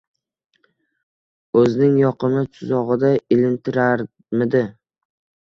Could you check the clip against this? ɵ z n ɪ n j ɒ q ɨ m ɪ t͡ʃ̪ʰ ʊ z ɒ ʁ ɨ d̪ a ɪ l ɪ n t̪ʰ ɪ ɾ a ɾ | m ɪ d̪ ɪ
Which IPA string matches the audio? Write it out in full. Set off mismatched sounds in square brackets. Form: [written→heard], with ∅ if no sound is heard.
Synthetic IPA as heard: ɵ z n ɪ [n→ŋ] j ɒ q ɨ m ɪ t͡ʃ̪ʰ ʊ z ɒ ʁ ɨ d̪ a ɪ l ɪ n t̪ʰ ɪ ɾ a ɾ | m ɪ d̪ ɪ